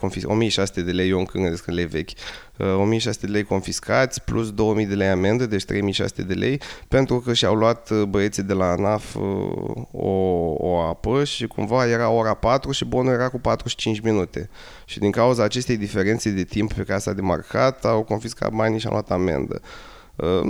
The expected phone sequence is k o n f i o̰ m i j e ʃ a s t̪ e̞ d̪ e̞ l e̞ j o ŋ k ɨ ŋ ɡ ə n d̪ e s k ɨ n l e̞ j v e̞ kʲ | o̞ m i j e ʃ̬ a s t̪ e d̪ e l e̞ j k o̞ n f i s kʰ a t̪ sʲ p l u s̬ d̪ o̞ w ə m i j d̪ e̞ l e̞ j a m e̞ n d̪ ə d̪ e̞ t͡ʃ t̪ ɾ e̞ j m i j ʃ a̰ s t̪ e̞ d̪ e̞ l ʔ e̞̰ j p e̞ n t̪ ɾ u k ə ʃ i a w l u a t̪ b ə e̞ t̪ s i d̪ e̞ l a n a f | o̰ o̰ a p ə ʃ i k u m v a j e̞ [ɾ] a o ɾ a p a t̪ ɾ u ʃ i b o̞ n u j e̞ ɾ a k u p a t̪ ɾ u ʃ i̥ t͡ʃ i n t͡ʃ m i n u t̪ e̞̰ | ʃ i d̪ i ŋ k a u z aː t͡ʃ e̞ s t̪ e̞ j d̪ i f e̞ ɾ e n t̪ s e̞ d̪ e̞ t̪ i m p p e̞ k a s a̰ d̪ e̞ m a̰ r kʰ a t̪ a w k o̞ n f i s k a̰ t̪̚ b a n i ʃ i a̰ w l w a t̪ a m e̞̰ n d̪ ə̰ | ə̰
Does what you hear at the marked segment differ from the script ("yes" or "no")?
no